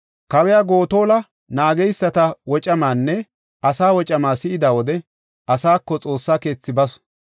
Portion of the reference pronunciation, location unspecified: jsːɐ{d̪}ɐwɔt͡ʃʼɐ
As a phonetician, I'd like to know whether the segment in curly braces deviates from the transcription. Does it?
yes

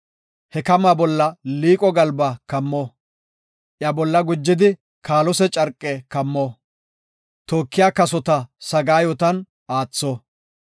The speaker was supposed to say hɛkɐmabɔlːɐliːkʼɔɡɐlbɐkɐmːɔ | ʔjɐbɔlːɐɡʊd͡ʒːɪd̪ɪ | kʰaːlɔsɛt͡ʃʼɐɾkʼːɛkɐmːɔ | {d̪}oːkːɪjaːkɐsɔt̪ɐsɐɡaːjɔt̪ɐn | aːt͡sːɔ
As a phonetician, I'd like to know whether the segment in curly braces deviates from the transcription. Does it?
yes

